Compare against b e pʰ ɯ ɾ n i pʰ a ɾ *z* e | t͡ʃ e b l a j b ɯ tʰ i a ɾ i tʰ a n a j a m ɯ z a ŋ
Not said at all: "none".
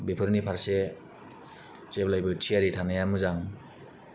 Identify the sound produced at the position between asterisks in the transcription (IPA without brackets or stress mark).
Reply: s